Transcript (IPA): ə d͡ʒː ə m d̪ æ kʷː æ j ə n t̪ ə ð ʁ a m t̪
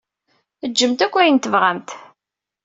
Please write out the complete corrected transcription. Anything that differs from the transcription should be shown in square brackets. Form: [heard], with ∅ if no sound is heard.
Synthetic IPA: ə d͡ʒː ə m [t̪] æ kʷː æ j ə n t̪ ə [v] ʁ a m t̪